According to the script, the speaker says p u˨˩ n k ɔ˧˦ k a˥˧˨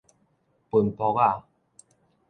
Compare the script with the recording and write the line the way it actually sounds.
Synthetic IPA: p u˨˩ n p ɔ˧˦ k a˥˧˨